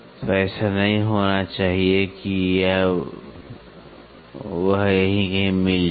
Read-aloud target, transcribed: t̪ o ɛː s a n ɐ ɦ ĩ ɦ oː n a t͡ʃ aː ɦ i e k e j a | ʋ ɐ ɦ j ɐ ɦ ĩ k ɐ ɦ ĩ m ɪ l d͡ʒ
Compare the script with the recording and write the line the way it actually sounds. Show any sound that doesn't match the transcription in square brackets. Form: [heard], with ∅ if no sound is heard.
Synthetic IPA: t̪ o ɛː s a n ɐ ɦ ĩ ɦ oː n a t͡ʃ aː ɦ i e k [i] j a | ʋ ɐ ɦ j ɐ ɦ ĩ k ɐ ɦ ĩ m ɪ l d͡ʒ